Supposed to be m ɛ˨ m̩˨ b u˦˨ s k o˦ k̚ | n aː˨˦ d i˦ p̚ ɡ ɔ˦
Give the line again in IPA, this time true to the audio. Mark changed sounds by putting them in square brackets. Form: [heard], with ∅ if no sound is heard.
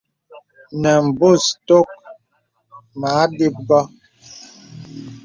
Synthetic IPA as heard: [n] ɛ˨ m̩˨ b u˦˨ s [t] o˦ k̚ | [m] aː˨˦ d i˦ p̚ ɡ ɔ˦